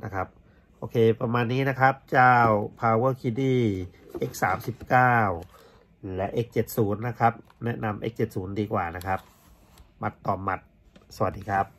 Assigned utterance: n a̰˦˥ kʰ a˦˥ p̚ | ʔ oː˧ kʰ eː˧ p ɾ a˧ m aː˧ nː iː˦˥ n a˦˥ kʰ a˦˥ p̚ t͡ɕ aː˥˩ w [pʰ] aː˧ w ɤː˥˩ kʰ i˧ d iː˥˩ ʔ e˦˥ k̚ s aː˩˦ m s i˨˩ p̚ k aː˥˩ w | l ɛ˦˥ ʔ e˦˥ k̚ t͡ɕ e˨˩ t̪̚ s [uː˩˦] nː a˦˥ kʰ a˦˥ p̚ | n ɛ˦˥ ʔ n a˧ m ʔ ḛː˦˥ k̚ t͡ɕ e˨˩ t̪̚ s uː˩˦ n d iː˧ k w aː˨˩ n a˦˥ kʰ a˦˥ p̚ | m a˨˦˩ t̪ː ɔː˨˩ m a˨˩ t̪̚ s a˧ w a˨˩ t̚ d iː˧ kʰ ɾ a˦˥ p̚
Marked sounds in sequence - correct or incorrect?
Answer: correct, correct

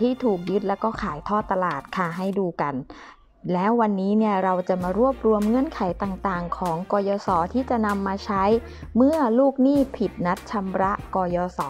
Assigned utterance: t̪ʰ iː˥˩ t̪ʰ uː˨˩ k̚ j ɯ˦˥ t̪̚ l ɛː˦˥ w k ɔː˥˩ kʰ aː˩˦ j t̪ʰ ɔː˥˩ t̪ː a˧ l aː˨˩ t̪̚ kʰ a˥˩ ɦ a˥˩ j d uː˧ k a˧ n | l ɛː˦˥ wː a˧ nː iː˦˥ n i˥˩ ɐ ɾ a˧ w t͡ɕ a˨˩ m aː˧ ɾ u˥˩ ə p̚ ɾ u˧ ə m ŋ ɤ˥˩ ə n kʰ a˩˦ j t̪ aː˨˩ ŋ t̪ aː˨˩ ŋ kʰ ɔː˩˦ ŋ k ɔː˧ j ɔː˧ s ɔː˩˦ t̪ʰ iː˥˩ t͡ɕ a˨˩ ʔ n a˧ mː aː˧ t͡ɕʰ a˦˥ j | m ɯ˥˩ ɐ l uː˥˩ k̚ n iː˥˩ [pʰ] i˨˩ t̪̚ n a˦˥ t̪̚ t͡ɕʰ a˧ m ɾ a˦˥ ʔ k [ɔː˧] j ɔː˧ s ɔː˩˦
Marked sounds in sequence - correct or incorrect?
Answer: correct, correct

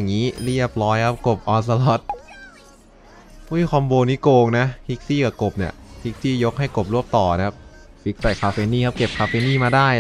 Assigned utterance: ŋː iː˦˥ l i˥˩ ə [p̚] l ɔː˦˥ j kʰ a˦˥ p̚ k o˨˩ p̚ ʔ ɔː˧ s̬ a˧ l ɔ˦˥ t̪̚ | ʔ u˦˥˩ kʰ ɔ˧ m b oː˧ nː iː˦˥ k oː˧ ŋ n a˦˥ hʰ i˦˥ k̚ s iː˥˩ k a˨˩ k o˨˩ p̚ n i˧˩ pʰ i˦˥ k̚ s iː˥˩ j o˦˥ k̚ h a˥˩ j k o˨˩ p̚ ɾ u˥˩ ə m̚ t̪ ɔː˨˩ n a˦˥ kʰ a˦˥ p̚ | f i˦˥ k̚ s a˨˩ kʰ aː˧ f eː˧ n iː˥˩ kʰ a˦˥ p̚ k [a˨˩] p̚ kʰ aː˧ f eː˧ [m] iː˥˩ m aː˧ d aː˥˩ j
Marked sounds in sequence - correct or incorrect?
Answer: correct, incorrect: e˨˩, incorrect: n

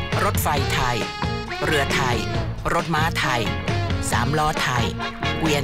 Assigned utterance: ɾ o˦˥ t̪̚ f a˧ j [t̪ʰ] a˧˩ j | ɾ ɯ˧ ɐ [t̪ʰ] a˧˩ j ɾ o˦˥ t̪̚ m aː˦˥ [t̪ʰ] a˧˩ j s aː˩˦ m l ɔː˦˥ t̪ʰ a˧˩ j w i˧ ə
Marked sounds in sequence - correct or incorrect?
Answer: correct, correct, correct

